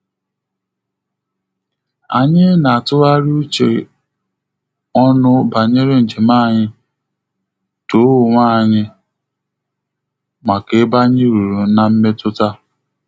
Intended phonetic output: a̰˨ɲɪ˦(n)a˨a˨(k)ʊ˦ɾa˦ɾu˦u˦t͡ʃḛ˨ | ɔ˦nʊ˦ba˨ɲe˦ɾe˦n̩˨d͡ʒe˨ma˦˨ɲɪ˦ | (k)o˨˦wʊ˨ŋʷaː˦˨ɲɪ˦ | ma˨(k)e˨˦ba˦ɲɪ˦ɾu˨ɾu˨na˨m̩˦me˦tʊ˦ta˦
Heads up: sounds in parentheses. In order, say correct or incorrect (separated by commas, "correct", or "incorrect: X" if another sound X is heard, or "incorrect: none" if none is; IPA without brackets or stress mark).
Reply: correct, incorrect: t, incorrect: t, correct